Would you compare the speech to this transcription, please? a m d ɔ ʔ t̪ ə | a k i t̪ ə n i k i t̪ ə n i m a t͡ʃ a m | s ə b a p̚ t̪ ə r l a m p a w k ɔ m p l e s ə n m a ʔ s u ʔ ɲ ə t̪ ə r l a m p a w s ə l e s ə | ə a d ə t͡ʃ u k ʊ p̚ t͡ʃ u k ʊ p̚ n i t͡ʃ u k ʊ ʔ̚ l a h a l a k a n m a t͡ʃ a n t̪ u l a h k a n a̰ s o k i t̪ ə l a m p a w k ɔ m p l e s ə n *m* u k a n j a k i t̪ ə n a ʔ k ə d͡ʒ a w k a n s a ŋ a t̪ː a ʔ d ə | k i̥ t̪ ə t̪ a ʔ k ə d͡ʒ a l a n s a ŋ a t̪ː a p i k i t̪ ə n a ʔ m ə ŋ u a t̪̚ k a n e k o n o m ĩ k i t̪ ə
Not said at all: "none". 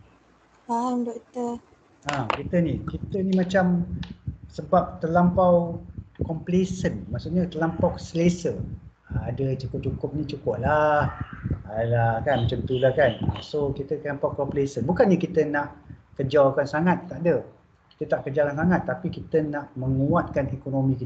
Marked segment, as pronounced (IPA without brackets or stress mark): b